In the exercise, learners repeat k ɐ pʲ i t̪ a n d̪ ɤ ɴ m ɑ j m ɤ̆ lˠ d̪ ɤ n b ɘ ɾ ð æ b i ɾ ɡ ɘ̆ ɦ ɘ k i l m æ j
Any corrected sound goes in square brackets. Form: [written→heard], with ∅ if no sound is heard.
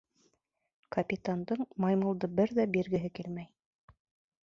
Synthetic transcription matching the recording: k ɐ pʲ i t̪ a n d̪ ɤ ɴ m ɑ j m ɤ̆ lˠ d̪ ɤ [n→∅] b ɘ ɾ ð æ b i ɾ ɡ ɘ̆ ɦ ɘ k i l m æ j